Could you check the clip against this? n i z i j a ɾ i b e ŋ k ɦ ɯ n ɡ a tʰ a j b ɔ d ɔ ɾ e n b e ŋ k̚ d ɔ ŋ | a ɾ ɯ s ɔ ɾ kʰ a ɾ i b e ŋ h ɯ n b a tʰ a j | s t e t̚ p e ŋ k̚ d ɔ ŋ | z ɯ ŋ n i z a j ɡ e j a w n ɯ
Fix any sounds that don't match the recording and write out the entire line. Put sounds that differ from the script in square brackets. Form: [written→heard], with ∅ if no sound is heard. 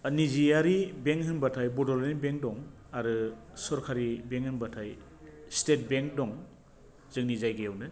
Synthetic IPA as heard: n i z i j a ɾ i b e ŋ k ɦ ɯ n [ɡ→b] a tʰ a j b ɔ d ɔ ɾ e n b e ŋ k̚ d ɔ ŋ | a ɾ ɯ s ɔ ɾ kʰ a ɾ i b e ŋ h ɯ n b a tʰ a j | s t e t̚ [p→b] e ŋ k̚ d ɔ ŋ | z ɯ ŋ n i z a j ɡ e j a w n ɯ